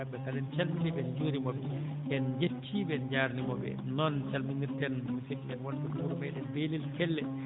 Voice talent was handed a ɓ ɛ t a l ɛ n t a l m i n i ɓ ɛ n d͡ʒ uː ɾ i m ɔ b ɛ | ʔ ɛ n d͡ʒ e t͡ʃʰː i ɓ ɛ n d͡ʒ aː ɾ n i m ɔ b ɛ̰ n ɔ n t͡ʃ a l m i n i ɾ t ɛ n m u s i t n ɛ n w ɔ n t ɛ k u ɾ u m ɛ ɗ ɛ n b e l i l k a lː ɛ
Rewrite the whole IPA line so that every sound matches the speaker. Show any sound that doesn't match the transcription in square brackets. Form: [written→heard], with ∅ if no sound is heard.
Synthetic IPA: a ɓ ɛ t a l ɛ n [t→t͡ʃ] a l m i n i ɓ ɛ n d͡ʒ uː ɾ i m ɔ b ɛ | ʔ ɛ n d͡ʒ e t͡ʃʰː i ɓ ɛ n d͡ʒ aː ɾ n i m ɔ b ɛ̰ n ɔ n t͡ʃ a l m i n i ɾ t ɛ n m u s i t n ɛ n w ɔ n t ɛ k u ɾ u m ɛ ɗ ɛ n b e l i l k [a→ɛ] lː ɛ